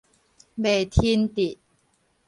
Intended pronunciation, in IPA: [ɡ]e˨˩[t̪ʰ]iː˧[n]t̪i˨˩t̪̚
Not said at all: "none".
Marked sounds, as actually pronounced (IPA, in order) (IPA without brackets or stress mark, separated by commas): b, t̪ʰ, n